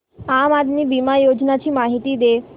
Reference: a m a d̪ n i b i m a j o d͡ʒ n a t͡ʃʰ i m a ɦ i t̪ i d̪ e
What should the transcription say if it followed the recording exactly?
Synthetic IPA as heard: a m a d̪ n i b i m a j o d͡ʒ n a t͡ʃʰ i m a ɦ i t̪ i d̪ e

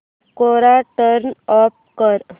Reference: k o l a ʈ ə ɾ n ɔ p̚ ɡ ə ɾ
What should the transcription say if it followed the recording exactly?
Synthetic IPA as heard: k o ɾ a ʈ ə ɾ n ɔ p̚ k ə ɾ

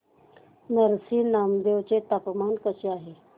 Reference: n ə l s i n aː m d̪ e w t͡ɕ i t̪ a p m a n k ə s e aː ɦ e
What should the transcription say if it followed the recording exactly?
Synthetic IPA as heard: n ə ɾ s i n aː m d̪ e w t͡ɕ e t̪ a p m a n k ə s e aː ɦ e

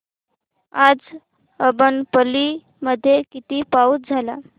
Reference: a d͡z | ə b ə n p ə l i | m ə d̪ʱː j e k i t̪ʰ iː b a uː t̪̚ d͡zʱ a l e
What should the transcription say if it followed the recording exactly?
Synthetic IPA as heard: a d͡z | ə b ə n p ə l i | m ə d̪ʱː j e k i t̪ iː p a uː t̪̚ d͡zʱ a l a

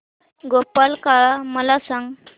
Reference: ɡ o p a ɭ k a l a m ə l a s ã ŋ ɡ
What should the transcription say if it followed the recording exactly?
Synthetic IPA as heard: ɡ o p a l k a ɭ a m ə l a s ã ŋ ɡ

